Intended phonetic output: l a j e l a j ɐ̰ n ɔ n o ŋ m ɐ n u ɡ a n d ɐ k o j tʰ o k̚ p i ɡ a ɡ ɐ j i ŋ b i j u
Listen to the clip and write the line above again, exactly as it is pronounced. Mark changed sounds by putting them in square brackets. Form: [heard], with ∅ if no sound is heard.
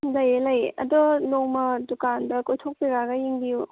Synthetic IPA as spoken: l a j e l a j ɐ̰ [d] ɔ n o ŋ m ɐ [d] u [k] a n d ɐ k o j tʰ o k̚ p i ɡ a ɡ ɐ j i ŋ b i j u